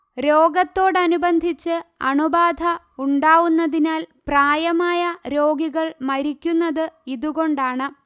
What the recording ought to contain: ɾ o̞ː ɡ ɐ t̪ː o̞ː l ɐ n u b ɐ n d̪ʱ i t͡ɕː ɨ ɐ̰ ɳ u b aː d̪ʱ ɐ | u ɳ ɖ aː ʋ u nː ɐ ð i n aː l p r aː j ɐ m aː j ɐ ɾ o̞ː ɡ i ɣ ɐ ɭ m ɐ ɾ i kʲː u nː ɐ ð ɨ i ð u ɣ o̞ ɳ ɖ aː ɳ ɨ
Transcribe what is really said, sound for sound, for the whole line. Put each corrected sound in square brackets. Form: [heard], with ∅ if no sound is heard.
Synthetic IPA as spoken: ɾ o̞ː ɡ ɐ t̪ː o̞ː [ɽ] ɐ n u b ɐ n d̪ʱ i t͡ɕː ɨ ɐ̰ ɳ u b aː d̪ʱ ɐ | u ɳ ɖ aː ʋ u nː ɐ ð i n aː l p r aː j ɐ m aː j ɐ ɾ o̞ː ɡ i ɣ ɐ ɭ m ɐ ɾ i kʲː u nː ɐ ð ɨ i ð u ɣ o̞ ɳ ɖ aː ɳ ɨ